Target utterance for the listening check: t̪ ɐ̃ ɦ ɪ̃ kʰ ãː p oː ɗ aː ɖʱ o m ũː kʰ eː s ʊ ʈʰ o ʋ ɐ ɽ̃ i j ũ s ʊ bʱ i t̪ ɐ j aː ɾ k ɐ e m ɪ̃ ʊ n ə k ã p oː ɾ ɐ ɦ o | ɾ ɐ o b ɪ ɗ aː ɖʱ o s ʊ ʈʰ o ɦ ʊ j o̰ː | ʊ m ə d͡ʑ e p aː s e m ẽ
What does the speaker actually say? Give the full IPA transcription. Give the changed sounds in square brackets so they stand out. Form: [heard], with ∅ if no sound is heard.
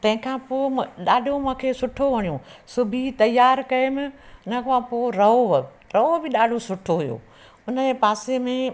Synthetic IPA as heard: t̪ ɐ̃ ɦ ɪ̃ kʰ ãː p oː ɗ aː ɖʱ o m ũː kʰ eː s ʊ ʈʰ o ʋ ɐ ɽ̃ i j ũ s ʊ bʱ i t̪ ɐ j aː ɾ k ɐ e m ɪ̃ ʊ n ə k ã p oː ɾ ɐ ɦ o | ɾ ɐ o b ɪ ɗ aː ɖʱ o s ʊ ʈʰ o ɦ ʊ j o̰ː | ʊ [n] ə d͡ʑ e p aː s e m ẽ